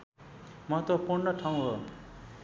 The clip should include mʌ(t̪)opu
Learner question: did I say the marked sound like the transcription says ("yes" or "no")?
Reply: yes